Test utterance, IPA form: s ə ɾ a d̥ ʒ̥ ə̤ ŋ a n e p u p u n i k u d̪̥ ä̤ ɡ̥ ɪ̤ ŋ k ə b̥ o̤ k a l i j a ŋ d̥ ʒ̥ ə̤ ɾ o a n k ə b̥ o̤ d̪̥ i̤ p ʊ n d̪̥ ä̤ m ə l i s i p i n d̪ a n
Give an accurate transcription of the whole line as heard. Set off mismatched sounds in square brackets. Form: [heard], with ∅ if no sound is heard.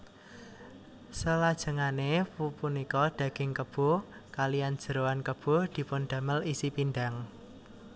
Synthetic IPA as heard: s ə [l] a d̥ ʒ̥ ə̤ ŋ a n e p u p u n i k [ɔ] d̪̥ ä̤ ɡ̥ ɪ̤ ŋ k ə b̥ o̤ k a l i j a [n] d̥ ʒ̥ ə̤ ɾ o a n k ə b̥ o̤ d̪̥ i̤ p ʊ n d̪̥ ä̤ m ə l i s i p i n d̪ a [ŋ]